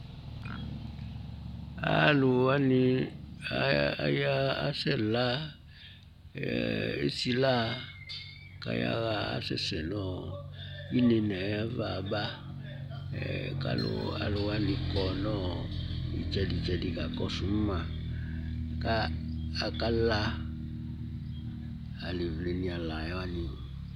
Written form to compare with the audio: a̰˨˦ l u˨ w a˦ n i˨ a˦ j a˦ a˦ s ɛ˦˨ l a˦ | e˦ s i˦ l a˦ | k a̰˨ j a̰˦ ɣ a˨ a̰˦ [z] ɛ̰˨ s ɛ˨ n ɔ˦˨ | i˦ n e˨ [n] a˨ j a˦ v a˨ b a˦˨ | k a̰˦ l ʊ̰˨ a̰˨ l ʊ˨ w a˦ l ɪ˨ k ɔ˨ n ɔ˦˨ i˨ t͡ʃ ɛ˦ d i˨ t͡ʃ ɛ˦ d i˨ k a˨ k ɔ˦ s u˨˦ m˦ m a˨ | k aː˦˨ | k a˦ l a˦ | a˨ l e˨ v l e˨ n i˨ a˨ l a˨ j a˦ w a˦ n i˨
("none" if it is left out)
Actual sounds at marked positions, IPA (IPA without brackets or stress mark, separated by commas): s, n